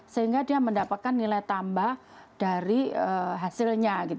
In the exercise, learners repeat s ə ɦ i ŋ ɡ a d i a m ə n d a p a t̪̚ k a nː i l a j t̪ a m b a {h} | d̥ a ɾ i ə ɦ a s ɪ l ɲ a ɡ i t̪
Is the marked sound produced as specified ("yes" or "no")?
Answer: yes